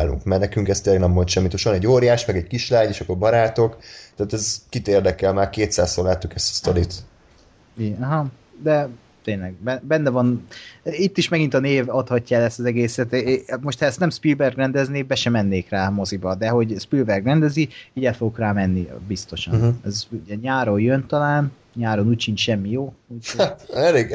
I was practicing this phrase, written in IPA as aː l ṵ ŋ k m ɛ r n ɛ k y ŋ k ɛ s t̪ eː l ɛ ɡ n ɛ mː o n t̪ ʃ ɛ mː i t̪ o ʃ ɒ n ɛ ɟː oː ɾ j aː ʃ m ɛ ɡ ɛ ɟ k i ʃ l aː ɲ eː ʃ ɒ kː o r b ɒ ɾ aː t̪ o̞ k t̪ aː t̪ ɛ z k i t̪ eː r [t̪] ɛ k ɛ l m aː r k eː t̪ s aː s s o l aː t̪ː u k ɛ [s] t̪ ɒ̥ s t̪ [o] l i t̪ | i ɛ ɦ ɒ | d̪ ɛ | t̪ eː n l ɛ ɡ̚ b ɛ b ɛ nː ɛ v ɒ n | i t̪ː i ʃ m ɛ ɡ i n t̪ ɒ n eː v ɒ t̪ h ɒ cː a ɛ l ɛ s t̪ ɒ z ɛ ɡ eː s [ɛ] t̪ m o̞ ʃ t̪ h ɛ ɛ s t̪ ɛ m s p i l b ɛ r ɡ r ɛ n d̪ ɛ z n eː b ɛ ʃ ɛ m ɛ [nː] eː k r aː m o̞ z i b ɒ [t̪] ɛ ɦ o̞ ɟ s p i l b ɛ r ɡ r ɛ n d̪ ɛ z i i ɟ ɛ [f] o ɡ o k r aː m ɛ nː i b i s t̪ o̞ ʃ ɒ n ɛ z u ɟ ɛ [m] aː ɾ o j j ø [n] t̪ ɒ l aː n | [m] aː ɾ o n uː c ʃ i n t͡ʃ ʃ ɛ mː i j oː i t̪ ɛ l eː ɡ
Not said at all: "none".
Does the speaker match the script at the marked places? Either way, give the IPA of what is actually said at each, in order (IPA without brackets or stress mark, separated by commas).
d̪, s, o, ɛ, nː, d̪, f, ɲ, n, ɲ